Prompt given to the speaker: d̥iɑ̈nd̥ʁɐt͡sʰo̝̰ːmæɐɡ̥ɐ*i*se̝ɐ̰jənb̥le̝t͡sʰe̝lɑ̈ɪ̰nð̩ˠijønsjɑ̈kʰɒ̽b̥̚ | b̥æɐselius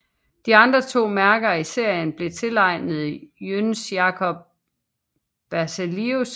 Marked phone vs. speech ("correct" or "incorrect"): correct